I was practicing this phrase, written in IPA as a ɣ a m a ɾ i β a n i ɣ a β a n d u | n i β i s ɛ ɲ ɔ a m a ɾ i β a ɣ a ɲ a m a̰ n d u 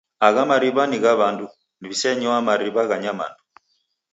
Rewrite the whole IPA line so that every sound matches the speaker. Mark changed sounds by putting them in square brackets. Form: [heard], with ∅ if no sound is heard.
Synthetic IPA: a ɣ a m a ɾ i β a n i ɣ a β a n d u | n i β i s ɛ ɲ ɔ a m a ɾ i β a ɣ a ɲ a m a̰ n d u